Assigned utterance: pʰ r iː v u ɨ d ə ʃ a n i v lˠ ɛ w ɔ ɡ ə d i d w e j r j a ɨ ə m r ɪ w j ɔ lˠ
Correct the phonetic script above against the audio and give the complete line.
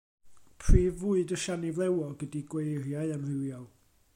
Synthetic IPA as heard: pʰ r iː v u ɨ d ə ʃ a n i v lˠ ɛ w ɔ ɡ ə d i ɡ w e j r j a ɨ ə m r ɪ w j ɔ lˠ